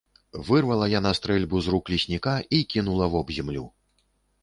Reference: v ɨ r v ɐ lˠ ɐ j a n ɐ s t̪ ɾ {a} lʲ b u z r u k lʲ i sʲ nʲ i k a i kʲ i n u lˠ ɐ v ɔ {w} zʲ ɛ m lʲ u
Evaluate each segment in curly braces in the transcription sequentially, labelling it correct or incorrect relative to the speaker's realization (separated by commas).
incorrect, incorrect